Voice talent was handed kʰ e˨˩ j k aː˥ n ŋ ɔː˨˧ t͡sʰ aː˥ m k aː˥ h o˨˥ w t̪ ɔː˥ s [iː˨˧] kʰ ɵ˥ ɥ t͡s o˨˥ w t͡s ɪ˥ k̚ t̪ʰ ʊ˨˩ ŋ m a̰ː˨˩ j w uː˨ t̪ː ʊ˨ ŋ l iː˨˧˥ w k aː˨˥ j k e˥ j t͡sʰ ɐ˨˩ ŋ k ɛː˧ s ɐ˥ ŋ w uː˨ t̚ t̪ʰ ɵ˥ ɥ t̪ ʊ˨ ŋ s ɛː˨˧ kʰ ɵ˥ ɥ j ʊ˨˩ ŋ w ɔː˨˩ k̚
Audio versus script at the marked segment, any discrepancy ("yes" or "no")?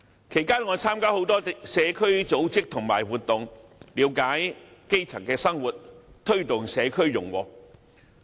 yes